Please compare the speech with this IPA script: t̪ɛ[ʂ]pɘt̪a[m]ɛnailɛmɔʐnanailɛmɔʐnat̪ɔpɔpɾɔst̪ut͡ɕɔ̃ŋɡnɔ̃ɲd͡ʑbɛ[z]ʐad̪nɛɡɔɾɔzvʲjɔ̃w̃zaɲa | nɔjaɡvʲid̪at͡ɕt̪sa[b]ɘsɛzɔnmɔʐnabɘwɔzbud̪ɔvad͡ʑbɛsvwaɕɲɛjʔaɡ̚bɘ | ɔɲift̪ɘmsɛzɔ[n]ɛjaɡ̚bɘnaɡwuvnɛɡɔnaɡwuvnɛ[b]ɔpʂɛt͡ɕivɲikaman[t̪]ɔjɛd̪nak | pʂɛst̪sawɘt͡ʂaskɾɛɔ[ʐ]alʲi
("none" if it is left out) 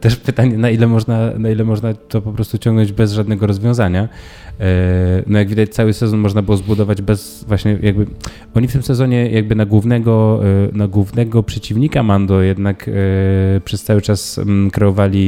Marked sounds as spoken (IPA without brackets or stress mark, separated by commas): ʂ, ɲ, z, w, ɲ, ɡ, d̪, v